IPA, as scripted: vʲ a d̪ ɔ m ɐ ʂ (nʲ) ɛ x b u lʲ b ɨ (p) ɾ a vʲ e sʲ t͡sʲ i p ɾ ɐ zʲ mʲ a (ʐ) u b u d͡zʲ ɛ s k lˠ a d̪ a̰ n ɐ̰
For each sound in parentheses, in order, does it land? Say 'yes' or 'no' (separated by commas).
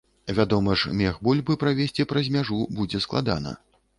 no, yes, yes